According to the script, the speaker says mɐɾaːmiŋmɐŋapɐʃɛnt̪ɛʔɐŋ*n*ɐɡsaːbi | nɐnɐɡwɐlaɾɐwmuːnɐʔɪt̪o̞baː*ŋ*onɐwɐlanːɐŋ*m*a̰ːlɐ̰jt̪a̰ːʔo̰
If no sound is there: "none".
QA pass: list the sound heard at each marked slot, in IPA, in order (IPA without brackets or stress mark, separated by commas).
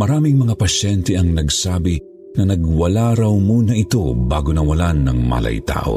n, ɡ, m